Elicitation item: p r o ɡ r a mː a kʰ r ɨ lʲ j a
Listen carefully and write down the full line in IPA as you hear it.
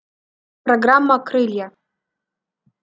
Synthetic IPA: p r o ɡ r a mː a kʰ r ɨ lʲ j a